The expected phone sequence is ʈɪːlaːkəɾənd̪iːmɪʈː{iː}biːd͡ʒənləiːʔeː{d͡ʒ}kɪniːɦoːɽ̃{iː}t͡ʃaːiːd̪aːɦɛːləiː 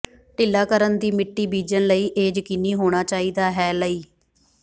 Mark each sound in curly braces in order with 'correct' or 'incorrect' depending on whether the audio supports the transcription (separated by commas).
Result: correct, correct, incorrect